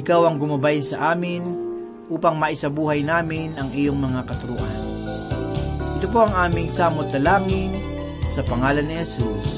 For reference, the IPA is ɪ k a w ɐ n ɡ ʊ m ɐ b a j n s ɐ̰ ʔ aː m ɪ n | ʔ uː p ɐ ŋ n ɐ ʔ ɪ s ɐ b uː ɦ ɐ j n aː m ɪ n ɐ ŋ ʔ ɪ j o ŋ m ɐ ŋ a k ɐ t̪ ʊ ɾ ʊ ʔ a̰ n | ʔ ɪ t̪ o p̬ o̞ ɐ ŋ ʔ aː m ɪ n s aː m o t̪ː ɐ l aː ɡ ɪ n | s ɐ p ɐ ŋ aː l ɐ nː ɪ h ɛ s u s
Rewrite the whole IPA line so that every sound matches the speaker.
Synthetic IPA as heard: ɪ k a w ɐ ŋ ɡ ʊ m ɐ b a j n s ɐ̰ ʔ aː m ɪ n | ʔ uː p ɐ ŋ m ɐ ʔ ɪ s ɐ b uː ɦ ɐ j n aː m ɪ n ɐ ŋ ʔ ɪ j o ŋ m ɐ ŋ a k ɐ t̪ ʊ ɾ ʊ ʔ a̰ n | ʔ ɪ t̪ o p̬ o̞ ɐ ŋ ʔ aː m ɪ ŋ s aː m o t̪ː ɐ l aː ŋ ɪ n | s ɐ p ɐ ŋ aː l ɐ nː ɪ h ɛ s u s